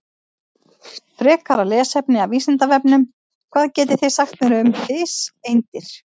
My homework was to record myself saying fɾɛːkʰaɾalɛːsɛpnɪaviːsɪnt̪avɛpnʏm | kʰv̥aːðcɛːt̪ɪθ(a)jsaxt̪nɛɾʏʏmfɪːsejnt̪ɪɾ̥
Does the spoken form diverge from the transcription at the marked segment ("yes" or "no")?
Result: yes